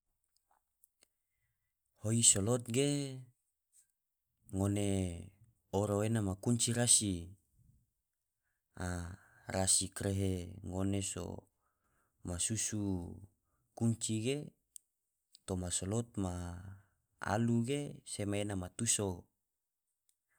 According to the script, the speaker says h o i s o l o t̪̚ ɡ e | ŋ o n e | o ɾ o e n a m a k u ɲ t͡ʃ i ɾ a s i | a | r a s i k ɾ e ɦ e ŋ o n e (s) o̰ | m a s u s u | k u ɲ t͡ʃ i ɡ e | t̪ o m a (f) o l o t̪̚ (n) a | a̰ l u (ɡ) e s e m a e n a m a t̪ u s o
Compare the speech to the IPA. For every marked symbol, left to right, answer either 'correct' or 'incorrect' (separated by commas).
correct, incorrect, incorrect, correct